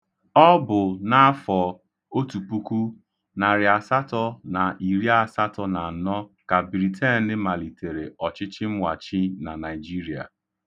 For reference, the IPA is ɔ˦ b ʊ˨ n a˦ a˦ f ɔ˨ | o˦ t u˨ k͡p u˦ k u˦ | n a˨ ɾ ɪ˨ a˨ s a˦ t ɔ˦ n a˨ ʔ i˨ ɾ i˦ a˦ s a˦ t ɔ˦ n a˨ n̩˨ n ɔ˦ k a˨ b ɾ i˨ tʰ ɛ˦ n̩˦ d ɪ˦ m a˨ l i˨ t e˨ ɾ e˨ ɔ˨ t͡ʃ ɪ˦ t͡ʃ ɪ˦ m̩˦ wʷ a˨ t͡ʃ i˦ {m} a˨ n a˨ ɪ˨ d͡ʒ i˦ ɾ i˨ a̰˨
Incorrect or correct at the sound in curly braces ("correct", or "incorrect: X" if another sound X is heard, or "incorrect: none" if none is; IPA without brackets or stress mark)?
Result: incorrect: n